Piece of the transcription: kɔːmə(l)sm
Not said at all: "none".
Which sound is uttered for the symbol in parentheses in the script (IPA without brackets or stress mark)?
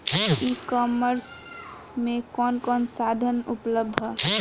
ɾ